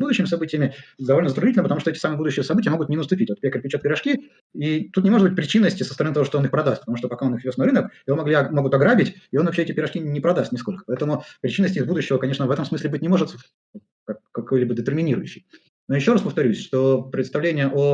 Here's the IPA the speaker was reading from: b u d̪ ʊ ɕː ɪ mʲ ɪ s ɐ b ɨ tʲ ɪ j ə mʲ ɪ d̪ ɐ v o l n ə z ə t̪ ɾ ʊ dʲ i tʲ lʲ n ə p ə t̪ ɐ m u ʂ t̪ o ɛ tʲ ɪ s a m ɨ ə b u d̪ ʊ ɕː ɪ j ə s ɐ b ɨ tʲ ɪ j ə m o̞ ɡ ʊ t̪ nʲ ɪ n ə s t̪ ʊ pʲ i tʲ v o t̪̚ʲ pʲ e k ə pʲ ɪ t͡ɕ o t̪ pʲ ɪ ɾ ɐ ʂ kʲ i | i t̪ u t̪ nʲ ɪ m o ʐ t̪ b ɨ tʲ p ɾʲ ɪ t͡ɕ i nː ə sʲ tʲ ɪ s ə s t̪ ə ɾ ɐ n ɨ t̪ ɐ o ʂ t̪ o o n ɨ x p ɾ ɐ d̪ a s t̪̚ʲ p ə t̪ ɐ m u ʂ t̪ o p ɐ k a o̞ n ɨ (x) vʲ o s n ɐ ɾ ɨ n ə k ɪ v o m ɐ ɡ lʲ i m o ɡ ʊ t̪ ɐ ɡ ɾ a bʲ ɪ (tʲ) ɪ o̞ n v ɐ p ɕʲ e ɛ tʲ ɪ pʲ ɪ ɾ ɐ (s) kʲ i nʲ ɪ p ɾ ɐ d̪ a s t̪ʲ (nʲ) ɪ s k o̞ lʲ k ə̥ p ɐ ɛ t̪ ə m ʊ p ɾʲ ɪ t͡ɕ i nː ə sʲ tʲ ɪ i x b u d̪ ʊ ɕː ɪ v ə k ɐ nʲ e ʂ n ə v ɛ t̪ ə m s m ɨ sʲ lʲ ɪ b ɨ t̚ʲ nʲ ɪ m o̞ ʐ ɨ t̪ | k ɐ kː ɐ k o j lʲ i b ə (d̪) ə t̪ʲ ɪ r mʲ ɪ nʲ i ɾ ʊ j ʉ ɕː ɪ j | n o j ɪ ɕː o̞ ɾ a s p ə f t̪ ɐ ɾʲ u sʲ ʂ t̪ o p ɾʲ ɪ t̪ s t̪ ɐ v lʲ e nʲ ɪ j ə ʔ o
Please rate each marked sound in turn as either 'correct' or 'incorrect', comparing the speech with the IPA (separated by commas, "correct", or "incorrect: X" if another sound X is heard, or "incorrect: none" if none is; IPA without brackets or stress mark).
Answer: correct, correct, incorrect: ʂ, correct, correct